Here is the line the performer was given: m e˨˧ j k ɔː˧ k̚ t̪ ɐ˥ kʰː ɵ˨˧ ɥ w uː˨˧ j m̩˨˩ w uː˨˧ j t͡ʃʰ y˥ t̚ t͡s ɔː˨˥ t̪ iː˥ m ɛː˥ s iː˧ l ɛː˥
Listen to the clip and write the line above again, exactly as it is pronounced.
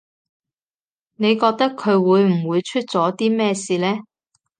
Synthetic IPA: n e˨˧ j k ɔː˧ k̚ t̪ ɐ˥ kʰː ɵ˨˧ ɥ w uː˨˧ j m̩˨˩ w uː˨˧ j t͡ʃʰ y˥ t̚ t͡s ɔː˨˥ t̪ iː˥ m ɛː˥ s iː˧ l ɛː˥

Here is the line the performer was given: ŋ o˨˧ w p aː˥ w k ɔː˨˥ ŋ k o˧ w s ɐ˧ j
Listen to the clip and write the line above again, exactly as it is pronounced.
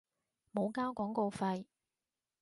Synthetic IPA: m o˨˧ w k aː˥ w k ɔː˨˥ ŋ k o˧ w f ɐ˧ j

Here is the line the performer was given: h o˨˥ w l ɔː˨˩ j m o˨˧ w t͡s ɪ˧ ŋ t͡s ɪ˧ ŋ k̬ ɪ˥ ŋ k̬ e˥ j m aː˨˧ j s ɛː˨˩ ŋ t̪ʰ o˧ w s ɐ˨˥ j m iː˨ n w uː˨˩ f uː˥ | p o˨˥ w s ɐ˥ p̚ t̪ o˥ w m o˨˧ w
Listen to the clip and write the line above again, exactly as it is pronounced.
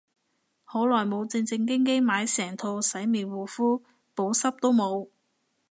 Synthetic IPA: h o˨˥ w l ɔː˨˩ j m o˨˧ w t͡s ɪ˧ ŋ t͡s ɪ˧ ŋ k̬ ɪ˥ ŋ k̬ e˥ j m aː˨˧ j s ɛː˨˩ ŋ t̪ʰ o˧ w s ɐ˨˥ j m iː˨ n w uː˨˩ f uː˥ | p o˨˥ w s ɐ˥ p̚ t̪ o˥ w m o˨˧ w

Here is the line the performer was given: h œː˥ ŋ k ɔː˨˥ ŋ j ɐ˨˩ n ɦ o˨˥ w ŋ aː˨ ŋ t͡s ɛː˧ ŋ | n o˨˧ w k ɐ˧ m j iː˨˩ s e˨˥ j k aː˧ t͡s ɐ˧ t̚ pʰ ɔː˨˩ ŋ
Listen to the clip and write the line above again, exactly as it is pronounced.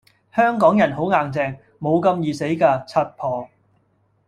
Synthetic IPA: h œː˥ ŋ k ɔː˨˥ ŋ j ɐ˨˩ n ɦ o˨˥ w ŋ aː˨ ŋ t͡s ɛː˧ ŋ | m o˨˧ w k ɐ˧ m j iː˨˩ s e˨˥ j k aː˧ t͡sʰ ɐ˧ t̚ pʰ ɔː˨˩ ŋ

